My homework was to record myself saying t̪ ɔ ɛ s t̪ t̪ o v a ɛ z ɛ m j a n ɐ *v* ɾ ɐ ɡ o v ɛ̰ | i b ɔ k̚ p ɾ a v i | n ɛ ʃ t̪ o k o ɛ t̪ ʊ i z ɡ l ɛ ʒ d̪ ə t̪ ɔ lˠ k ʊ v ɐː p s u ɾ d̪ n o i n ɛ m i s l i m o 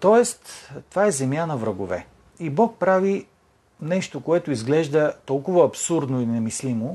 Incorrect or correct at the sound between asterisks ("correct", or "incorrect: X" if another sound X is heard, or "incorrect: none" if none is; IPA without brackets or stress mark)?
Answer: correct